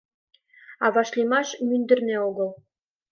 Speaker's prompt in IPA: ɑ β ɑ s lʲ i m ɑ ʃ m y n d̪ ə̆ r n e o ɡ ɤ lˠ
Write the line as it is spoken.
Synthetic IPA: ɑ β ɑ ʃ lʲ i m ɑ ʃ m y n d̪ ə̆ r n e o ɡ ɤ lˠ